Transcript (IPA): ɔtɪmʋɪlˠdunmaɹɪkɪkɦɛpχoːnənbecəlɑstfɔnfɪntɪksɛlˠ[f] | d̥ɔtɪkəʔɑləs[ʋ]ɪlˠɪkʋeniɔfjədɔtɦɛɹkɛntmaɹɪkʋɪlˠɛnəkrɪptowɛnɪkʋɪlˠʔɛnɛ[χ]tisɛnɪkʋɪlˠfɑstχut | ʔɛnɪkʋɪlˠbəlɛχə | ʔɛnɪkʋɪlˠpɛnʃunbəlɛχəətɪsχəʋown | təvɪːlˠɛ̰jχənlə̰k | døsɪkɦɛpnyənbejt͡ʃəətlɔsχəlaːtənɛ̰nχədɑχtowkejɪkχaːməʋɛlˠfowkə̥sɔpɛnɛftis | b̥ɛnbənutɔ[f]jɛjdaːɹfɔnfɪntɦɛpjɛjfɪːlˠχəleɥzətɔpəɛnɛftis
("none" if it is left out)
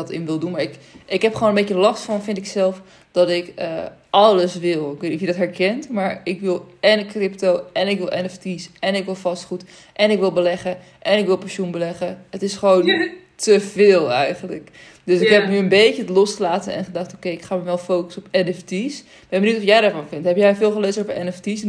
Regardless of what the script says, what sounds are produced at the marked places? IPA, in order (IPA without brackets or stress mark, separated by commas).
f, ʋ, f, f